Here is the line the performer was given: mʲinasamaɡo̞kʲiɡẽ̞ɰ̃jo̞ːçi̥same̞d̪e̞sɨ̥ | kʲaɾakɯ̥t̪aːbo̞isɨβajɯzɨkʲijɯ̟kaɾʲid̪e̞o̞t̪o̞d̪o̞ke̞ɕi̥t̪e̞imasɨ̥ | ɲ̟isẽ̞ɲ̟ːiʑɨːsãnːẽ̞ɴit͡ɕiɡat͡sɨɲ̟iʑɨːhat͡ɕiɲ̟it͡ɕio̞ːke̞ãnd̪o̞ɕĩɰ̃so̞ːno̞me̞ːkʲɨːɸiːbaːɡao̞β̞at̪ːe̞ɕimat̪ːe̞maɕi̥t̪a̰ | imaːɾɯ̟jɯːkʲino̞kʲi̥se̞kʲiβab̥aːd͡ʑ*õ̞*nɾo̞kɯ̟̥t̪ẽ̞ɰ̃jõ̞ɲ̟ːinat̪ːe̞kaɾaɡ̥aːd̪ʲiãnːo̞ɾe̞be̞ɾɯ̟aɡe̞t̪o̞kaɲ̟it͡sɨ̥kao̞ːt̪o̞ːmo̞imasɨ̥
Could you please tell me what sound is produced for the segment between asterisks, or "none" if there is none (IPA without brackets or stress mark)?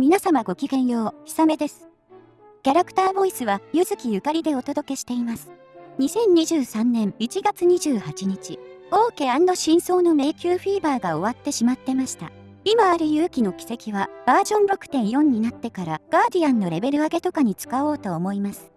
õ̞